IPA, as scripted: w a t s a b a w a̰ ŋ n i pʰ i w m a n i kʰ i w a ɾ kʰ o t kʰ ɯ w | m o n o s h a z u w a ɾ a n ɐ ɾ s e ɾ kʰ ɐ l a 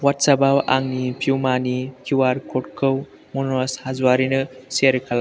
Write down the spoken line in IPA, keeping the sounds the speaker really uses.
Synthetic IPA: w a t s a b a w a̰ ŋ n i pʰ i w m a n i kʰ i w a ɾ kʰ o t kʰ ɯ w | m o n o s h a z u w a ɾ i n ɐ s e ɾ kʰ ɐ l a

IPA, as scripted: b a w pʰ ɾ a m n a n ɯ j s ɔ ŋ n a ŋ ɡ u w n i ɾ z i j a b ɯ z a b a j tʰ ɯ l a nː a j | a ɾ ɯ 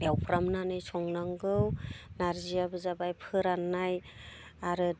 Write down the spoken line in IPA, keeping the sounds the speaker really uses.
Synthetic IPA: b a w pʰ ɾ a m n a n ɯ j s ɔ ŋ n a ŋ ɡ ɯ w n a ɾ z i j a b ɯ z a b a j pʰ ɯ ɾ a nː a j | a ɾ ɯ

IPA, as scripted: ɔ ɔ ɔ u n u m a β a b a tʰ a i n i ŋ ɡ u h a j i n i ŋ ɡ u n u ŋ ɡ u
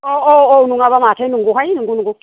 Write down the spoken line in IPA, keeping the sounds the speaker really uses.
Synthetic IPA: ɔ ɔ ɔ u n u ŋ a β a m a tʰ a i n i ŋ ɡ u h a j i n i ŋ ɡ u n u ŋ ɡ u

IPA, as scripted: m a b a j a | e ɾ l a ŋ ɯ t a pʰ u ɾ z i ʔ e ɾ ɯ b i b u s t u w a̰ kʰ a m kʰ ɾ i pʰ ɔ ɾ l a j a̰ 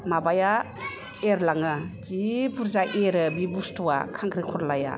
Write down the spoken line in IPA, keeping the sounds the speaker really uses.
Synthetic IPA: m a b a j a | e ɾ l a ŋ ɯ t i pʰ u ɾ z a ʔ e ɾ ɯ b i b u s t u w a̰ kʰ a ŋ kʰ ɾ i kʰ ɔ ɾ l a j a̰

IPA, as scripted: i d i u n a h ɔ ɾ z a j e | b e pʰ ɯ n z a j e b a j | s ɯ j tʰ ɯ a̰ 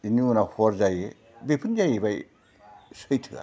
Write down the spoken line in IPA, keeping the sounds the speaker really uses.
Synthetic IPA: i n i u n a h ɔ ɾ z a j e | b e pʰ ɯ n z a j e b a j | s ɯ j tʰ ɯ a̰

